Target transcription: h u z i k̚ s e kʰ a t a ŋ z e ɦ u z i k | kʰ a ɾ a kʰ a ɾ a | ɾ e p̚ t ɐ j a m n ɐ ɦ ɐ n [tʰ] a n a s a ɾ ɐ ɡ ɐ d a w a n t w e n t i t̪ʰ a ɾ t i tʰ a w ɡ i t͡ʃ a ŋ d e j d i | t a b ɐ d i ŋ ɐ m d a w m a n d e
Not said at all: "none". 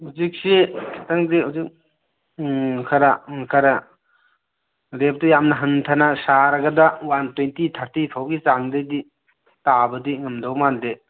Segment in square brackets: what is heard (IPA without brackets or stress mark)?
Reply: tʰ